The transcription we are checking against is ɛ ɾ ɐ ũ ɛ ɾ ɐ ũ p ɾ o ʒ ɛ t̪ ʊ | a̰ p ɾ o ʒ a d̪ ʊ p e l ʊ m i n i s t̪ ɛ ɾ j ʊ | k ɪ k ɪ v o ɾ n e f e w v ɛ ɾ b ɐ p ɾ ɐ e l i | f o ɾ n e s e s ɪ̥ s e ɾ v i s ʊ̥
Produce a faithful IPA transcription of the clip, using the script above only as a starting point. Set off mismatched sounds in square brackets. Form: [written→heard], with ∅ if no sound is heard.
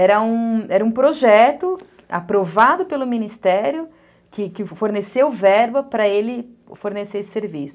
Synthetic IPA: ɛ ɾ ɐ ũ ɛ ɾ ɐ ũ p ɾ o ʒ ɛ t̪ ʊ | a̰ p ɾ o [ʒ→v] a d̪ ʊ p e l ʊ m i n i s t̪ ɛ ɾ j ʊ | k ɪ k ɪ [v→f] o ɾ n e [f→s] e w v ɛ ɾ b ɐ p ɾ ɐ e l [i→ɪ] | f o ɾ n e s e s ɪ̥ s e ɾ v i s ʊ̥